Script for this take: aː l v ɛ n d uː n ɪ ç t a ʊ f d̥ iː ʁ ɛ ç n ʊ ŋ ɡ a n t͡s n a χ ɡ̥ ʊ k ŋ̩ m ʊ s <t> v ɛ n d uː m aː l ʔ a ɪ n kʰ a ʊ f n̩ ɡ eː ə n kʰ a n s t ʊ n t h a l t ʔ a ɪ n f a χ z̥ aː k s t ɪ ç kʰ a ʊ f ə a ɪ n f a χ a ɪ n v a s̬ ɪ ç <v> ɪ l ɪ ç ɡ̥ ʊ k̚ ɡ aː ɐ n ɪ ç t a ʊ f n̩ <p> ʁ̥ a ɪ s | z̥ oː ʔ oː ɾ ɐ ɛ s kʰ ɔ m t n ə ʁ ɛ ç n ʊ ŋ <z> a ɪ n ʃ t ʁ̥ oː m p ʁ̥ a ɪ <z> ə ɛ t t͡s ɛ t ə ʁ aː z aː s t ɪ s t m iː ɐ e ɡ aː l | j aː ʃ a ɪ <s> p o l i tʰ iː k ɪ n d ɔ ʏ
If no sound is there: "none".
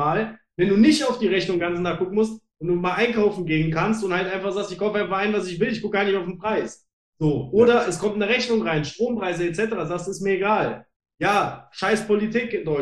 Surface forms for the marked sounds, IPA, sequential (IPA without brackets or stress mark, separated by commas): t, v, p, ʁ, z, s